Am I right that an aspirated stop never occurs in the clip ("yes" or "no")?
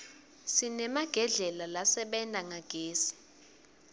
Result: yes